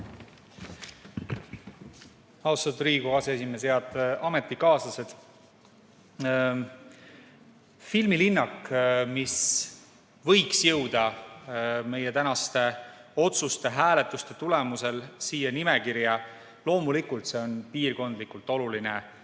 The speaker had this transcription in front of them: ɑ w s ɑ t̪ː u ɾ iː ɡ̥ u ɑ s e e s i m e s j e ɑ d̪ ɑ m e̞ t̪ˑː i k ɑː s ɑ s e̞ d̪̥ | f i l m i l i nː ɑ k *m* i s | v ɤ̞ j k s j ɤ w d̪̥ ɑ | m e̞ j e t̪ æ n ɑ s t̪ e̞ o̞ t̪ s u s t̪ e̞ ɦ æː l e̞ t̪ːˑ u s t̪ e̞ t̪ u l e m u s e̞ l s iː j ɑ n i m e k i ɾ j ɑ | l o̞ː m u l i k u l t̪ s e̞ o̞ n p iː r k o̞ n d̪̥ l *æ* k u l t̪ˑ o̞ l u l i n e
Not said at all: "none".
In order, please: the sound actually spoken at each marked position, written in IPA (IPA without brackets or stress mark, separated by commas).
m, i